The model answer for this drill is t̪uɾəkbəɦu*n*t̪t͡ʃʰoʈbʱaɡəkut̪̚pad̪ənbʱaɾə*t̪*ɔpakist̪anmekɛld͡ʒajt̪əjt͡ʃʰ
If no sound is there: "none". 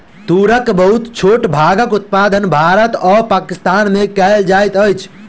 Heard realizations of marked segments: none, t̪

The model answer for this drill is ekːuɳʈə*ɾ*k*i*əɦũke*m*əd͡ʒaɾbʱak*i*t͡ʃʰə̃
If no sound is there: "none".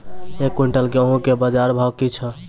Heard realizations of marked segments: l, e, b, i

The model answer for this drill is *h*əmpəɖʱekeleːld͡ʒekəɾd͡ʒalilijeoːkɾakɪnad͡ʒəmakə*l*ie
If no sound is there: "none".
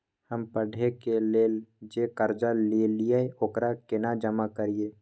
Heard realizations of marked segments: h, ɾ

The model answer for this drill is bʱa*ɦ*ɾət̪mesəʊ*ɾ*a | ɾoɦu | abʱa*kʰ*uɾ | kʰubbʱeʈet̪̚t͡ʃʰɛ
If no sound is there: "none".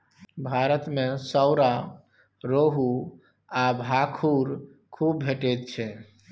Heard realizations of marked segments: none, ɾ, kʰ

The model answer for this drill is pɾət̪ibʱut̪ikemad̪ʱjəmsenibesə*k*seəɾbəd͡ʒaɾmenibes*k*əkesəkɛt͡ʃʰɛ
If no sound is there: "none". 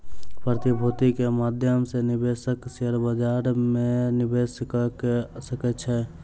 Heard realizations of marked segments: k, k

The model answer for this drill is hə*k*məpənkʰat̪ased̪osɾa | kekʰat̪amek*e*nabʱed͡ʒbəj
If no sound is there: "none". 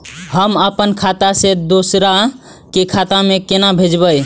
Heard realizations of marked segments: none, e

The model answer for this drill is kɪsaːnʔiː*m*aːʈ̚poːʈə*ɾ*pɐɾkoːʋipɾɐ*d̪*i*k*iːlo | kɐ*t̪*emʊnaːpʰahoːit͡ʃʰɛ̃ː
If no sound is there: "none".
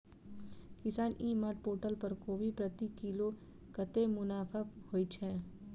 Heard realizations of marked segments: m, l, t̪, k, t̪

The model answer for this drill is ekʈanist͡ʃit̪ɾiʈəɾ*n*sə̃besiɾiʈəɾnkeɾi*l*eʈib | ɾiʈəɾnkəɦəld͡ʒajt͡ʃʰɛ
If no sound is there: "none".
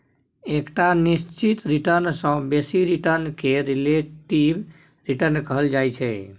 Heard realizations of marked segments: n, l

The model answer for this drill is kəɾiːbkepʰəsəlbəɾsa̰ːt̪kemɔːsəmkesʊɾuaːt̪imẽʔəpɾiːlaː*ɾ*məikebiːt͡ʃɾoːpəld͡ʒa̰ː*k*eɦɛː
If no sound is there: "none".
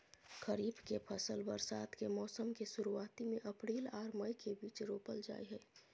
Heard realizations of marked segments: ɾ, none

